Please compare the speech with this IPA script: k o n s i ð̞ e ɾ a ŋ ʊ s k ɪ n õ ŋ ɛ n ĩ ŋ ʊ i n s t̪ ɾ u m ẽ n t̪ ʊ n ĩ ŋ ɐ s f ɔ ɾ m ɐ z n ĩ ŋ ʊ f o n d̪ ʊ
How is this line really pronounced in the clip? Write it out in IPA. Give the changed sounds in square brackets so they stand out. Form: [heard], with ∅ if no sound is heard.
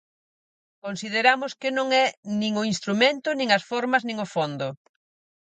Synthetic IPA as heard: k o n s i ð̞ e ɾ a [m] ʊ s k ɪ n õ ŋ ɛ n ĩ ŋ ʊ i n s t̪ ɾ u m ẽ n t̪ ʊ n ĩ ŋ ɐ s f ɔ ɾ m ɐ z n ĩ ŋ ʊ f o n d̪ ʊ